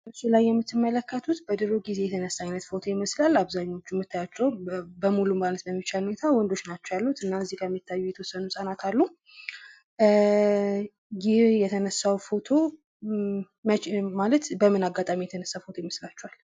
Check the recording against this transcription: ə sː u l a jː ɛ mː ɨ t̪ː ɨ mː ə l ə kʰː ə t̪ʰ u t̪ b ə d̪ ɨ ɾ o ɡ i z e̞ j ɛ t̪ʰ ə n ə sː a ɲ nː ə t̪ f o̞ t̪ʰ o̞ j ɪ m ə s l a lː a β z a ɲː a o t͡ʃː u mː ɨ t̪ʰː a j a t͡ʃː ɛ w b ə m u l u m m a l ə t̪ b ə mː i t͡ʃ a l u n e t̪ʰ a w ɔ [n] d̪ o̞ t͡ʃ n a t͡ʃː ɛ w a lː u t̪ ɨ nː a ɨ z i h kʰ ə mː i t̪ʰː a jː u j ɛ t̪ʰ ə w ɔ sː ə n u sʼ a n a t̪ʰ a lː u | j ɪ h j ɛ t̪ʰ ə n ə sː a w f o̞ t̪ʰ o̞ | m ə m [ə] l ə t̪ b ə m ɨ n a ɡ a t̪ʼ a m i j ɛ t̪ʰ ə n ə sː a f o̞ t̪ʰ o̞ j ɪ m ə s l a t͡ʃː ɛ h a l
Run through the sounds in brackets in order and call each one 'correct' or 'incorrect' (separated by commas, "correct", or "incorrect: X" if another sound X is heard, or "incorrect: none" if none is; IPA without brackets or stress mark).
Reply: correct, incorrect: a